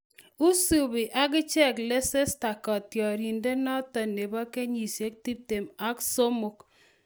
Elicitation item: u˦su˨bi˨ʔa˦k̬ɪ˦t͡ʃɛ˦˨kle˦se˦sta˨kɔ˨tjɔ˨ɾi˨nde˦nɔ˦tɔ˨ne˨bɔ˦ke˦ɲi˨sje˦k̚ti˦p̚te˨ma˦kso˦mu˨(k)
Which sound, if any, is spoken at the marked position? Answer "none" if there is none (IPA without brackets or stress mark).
k